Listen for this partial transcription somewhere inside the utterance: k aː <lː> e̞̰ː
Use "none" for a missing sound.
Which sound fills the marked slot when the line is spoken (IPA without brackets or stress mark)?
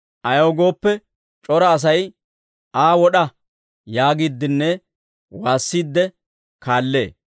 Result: lː